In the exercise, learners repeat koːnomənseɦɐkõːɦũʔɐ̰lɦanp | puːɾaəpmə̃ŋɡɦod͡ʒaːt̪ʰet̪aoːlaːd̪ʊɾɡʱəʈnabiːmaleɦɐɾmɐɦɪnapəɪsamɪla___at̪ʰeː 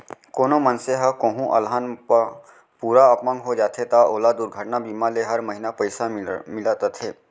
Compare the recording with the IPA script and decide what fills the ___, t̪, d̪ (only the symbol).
t̪